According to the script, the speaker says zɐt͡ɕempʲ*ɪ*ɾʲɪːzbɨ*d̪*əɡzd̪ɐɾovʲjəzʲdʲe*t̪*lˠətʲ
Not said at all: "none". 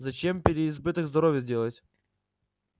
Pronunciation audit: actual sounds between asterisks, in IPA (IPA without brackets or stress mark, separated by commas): ɪ, t̪, none